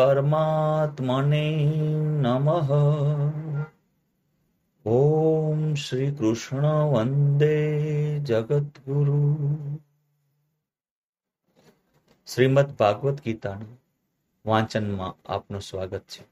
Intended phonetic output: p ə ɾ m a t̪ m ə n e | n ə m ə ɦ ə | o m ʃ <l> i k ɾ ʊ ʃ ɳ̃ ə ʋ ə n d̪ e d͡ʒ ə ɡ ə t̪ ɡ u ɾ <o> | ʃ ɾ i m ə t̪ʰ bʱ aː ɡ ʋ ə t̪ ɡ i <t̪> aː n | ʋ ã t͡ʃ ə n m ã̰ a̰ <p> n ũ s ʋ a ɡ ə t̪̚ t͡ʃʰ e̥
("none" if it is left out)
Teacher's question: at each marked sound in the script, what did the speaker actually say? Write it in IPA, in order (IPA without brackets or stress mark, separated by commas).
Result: ɾ, u, t̪, p